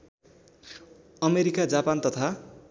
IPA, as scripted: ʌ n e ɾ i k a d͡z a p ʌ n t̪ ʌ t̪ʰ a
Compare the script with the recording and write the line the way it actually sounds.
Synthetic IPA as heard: ʌ m e ɾ i k a d͡z a p a n t̪ ʌ t̪ʰ a